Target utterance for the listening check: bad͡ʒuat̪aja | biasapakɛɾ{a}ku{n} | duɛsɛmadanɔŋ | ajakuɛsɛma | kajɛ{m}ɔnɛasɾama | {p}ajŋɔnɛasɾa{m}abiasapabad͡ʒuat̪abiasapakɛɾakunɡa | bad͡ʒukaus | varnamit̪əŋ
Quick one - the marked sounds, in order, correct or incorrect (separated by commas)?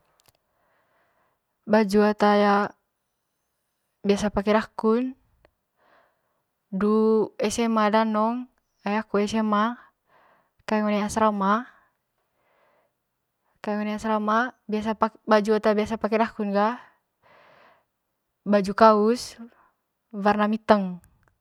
correct, correct, incorrect, incorrect, correct